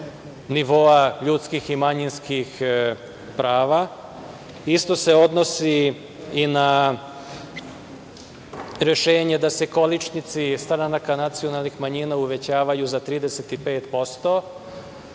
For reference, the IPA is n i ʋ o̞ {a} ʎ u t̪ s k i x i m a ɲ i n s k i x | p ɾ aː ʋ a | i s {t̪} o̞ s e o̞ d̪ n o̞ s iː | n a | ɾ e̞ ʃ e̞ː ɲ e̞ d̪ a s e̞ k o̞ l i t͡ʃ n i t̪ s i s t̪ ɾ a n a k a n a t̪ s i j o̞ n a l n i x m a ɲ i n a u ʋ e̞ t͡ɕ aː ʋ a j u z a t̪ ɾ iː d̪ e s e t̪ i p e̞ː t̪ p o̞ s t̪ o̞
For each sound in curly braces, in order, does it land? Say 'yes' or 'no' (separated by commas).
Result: yes, yes